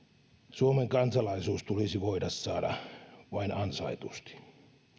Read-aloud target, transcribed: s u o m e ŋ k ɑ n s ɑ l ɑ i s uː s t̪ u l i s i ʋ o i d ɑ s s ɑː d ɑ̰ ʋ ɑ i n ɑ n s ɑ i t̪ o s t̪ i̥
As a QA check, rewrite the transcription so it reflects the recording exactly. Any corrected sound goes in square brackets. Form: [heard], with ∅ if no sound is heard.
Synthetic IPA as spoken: s u o m e ŋ k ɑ n s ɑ l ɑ i s uː s t̪ u l i s i ʋ o i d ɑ s s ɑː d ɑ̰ ʋ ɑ i n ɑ n s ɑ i t̪ [u] s t̪ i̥